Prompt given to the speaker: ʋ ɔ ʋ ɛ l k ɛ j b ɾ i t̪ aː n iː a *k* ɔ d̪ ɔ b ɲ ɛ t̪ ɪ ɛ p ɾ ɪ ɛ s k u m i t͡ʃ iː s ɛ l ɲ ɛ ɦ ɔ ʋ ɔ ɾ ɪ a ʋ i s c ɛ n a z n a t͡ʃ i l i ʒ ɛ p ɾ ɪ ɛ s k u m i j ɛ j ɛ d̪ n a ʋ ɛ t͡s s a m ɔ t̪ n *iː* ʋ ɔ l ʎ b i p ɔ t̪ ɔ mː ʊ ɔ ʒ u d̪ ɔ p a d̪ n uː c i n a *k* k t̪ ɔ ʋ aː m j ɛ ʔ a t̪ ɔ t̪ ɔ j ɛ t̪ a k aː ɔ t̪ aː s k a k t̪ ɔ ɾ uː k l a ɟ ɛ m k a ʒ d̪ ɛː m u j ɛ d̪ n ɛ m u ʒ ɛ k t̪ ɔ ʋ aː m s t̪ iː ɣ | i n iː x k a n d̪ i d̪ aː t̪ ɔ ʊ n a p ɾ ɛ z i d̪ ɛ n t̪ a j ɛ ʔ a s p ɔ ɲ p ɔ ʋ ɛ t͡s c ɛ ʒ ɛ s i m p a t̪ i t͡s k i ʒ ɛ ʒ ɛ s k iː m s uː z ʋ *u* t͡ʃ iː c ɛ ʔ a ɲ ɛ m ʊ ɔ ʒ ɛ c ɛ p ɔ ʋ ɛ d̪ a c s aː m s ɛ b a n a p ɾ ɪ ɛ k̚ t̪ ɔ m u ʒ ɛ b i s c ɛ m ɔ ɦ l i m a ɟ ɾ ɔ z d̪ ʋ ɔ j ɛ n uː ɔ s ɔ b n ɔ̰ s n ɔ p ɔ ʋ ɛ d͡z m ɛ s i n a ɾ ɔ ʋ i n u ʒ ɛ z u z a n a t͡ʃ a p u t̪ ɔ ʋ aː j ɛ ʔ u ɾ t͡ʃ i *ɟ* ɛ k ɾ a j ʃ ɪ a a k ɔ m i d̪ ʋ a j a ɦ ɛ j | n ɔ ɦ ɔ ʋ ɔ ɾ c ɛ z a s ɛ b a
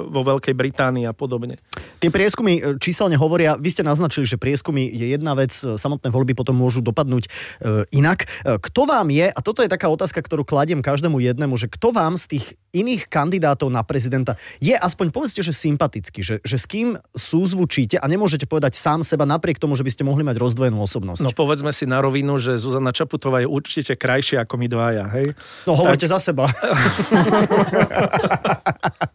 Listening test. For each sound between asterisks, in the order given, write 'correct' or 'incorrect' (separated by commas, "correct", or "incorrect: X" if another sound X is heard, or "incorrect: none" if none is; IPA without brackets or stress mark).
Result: incorrect: p, incorrect: ɛː, correct, correct, incorrect: c